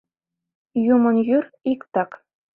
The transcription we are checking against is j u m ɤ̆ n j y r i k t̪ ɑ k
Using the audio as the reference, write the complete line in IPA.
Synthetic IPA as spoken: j u m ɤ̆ n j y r i k t̪ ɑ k

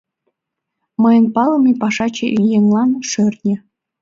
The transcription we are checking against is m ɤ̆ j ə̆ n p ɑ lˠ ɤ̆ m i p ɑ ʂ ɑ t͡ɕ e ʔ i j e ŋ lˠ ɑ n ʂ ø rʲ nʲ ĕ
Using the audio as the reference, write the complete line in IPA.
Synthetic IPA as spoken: m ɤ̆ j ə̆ n p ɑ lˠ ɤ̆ m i p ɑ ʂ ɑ t͡ɕ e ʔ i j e ŋ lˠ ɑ n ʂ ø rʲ nʲ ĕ

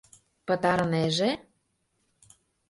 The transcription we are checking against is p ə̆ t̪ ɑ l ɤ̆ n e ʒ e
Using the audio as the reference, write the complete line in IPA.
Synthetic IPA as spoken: p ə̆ t̪ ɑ ɾ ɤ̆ n e ʒ e

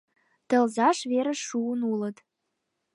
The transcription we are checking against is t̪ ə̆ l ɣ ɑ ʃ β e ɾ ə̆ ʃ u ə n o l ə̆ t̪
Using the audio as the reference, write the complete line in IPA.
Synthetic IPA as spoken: t̪ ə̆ l z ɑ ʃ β e ɾ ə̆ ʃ u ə n u l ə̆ t̪

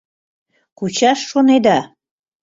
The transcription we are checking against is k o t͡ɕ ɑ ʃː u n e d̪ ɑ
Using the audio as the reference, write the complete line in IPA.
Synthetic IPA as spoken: k u t͡ɕ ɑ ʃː o n e d̪ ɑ

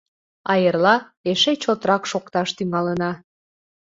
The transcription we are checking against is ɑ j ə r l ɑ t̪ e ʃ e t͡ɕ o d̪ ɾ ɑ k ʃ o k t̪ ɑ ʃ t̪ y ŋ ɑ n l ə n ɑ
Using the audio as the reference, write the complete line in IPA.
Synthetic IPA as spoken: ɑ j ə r l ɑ e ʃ e t͡ɕ o t̪ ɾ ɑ k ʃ o k t̪ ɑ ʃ t̪ y ŋ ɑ l ə n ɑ

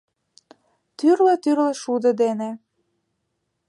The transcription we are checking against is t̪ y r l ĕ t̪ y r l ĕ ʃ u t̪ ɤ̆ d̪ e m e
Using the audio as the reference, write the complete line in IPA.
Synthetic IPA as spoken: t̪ y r l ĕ t̪ y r l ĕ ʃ u d̪ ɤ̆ d̪ e n e

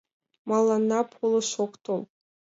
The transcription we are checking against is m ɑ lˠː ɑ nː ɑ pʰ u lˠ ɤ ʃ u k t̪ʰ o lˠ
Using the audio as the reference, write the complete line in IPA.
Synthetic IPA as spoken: m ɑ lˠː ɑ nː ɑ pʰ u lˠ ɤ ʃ o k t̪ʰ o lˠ

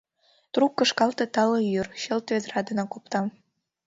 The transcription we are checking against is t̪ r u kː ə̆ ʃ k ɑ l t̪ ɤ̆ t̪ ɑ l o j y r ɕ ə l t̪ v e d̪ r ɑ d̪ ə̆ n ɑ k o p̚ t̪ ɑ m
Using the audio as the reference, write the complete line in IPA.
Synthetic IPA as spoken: t̪ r u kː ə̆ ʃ k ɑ l t̪ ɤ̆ t̪ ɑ l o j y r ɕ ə l t̪ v e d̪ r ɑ d̪ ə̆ n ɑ k o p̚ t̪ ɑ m

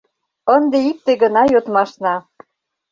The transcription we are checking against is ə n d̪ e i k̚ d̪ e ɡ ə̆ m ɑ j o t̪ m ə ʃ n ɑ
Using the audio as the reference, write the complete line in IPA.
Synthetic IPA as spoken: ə n d̪ e i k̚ t̪ e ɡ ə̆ n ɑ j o t̪ m ɑ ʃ n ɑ

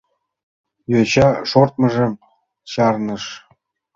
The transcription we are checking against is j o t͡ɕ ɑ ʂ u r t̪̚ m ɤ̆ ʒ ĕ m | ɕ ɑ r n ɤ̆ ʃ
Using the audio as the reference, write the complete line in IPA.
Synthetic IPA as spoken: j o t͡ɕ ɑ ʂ o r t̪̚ m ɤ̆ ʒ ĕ m | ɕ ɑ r n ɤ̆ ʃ

